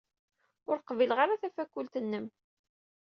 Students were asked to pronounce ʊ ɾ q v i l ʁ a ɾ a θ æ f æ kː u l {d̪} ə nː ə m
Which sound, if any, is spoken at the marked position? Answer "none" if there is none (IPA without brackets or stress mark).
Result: t̪